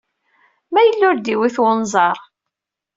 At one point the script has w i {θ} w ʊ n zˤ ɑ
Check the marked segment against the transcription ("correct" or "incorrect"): correct